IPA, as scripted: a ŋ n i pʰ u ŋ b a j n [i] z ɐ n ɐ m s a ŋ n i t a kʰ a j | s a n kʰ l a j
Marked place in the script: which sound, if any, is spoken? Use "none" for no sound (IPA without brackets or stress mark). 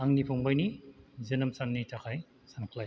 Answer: i